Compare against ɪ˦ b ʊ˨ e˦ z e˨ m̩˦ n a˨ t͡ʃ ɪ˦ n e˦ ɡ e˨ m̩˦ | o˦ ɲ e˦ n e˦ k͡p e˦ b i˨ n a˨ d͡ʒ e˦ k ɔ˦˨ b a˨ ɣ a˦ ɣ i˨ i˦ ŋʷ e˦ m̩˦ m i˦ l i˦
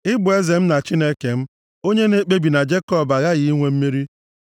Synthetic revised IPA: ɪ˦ b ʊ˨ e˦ z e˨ m̩˦ n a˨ t͡ʃ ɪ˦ n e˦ k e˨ m̩˦ | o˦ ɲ e˦ n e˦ k͡p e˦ b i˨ n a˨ d͡ʒ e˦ k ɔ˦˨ b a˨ ɣ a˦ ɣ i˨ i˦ ŋʷ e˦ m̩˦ m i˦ ɾ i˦